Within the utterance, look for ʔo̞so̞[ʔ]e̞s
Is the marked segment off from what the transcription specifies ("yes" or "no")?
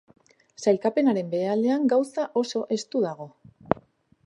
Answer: no